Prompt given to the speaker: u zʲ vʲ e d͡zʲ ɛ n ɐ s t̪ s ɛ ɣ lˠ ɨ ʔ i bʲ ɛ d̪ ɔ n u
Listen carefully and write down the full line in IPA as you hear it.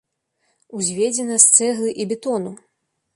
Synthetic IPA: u zʲ vʲ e d͡zʲ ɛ n ɐ s t̪ s ɛ ɣ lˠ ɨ ʔ i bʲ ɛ t̪ ɔ n u